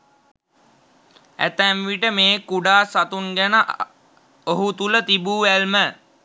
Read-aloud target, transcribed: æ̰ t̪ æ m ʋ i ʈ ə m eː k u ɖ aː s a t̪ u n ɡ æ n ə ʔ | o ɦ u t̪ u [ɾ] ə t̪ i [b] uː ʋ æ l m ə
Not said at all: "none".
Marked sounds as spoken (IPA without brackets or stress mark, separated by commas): l, b